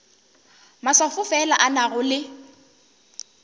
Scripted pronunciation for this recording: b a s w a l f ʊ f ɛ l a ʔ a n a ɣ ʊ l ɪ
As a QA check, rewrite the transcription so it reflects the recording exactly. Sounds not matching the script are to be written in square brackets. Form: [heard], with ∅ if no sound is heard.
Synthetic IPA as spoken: [m] a s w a [∅] f ʊ f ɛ l a ʔ a n a ɣ ʊ l ɪ

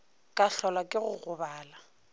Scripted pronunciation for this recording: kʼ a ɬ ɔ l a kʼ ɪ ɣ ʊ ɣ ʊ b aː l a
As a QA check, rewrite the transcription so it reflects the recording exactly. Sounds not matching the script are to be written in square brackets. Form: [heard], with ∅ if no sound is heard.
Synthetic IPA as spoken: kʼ a ɬ ɔ l a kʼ ɪ ɣ ʊ ɣ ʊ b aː l a

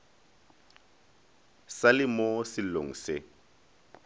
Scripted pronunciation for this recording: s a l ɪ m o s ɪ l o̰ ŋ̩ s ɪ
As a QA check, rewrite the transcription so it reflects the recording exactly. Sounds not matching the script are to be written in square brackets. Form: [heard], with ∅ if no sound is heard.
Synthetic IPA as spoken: s a l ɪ m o s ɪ l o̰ ŋ̩ s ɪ

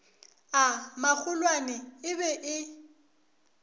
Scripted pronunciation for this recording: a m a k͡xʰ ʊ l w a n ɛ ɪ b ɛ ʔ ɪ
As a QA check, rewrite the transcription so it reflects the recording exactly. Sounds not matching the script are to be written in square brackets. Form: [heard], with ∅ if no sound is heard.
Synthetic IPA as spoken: a m a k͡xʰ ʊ l w a n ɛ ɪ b ɛ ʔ ɪ

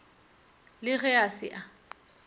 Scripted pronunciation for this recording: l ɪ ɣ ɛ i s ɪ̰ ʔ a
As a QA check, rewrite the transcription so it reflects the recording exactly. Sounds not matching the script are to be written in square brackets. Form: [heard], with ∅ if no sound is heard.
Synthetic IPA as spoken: l ɪ ɣ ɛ [a] s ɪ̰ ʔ a

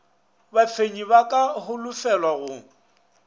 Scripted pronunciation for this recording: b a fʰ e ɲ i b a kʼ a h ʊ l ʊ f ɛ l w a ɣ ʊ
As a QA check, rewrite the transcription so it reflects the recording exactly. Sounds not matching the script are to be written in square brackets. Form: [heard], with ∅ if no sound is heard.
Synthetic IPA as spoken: b a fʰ e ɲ i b a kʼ a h ʊ l ʊ f ɛ l w a ɣ ʊ

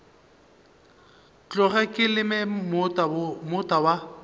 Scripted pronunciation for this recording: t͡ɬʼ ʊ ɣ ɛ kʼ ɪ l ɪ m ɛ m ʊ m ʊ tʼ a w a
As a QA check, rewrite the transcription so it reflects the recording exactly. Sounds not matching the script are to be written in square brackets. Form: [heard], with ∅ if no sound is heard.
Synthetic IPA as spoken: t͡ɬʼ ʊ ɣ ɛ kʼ ɪ l ɪ m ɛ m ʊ m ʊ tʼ a w a

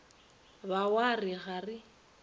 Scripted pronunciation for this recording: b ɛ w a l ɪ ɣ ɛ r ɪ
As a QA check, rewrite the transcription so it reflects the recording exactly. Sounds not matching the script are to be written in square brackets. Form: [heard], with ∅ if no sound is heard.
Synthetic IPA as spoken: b [a] w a [r] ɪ ɣ [a] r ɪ

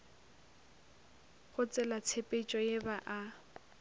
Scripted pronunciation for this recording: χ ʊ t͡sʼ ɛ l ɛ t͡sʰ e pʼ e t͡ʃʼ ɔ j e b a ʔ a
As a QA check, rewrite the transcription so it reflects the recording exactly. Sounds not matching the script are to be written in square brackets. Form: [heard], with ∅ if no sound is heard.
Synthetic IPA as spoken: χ ʊ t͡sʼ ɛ l [a] t͡sʰ e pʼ e t͡ʃʼ ɔ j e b a ʔ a

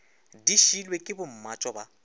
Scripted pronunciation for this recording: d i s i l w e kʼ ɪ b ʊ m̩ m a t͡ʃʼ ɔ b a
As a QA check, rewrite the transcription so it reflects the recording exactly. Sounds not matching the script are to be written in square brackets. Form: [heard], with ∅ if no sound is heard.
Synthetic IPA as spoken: d i [ʃ] i l w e kʼ ɪ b ʊ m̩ m a t͡ʃʼ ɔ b a

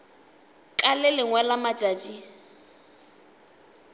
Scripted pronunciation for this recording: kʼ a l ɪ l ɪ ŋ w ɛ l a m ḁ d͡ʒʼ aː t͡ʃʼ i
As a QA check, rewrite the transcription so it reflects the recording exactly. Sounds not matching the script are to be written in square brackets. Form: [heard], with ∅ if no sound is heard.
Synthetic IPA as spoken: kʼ a l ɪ l ɪ ŋ w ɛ l a m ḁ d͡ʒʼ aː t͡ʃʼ i

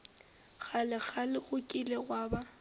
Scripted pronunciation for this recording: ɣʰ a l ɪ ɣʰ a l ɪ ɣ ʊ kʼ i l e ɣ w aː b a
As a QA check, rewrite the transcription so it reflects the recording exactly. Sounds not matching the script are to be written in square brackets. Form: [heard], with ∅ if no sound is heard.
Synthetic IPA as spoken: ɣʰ a l ɪ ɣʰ a l ɪ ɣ ʊ kʼ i l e ɣ w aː b a

